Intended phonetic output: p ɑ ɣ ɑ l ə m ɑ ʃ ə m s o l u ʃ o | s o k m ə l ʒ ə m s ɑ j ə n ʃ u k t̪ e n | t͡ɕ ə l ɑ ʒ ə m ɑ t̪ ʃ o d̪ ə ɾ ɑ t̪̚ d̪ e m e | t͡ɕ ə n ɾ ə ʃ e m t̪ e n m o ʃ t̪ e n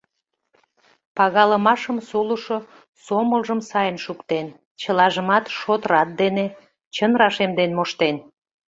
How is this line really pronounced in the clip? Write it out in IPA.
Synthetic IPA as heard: p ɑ ɣ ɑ l ə m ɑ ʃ ə m s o l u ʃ o | s o m ə l ʒ ə m s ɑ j ə n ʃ u k t̪ e n | t͡ɕ ə l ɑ ʒ ə m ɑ t̪ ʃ o t̪ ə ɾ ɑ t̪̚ d̪ e n e | t͡ɕ ə n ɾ ɑ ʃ e m d̪ e n m o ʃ t̪ e n